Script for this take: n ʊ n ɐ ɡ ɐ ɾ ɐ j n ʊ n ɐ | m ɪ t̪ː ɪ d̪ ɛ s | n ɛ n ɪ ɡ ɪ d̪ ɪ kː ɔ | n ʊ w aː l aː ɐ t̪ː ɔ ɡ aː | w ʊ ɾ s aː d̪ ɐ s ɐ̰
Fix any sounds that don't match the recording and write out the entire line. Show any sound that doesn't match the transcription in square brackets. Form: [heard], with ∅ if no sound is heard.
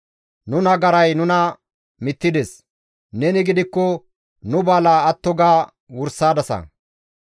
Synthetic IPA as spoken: n ʊ n ɐ ɡ ɐ ɾ ɐ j n ʊ n ɐ | m ɪ t̪ː ɪ d̪ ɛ s | n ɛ n ɪ ɡ ɪ d̪ ɪ kː ɔ | n ʊ [b] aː l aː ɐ t̪ː ɔ ɡ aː | w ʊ ɾ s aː d̪ ɐ s ɐ̰